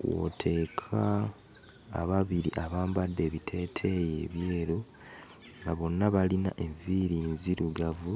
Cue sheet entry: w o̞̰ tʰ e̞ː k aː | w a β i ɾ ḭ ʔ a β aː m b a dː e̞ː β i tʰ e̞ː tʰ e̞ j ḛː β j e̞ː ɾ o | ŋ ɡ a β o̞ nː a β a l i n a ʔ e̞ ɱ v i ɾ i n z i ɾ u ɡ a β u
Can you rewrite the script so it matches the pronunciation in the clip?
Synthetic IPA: w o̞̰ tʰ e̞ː kʰ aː | β a β i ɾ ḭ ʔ a β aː m b a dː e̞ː β i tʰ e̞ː tʰ e̞ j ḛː β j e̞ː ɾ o | ŋ ɡ a β o̞ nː a β a l i n a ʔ e̞ ɱ v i ɾ i n z i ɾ u ɡ a v u